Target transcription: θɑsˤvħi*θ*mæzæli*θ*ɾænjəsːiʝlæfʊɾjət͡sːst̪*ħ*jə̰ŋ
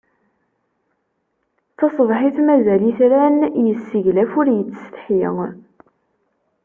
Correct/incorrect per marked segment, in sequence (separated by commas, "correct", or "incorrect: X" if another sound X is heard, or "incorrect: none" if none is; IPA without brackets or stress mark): correct, correct, correct